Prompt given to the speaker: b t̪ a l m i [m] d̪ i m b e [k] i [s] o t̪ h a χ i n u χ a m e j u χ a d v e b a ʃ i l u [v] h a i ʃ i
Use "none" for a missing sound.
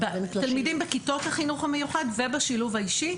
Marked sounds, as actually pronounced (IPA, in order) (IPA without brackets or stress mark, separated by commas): none, k, t, v